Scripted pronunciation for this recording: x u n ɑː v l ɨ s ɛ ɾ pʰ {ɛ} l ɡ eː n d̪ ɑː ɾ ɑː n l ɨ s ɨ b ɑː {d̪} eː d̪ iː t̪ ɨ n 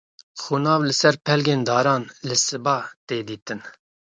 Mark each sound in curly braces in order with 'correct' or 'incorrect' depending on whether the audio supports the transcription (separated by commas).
correct, incorrect